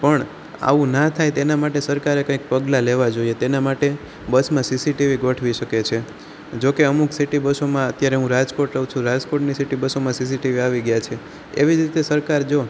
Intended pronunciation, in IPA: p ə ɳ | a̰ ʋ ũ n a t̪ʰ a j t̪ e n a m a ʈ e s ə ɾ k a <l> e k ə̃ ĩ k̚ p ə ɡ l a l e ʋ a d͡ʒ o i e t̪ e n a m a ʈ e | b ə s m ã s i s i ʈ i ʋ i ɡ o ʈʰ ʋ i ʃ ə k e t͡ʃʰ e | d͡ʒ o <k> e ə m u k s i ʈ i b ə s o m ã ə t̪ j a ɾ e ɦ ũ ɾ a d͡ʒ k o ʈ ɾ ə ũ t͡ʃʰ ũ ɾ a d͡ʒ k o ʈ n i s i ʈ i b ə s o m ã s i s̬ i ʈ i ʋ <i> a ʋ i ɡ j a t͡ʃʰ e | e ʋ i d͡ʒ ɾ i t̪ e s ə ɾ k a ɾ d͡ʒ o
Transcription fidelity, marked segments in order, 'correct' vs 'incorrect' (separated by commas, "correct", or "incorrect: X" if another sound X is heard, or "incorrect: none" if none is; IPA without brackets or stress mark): incorrect: ɾ, correct, correct